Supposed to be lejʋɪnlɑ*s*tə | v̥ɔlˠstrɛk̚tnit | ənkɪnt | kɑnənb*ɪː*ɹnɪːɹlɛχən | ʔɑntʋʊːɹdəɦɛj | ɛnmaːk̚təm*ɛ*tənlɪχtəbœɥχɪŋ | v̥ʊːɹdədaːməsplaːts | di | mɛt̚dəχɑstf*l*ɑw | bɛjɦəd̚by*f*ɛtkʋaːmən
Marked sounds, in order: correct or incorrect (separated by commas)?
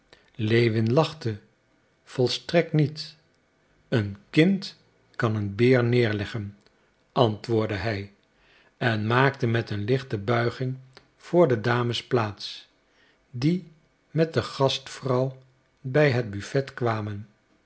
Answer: incorrect, correct, correct, incorrect, correct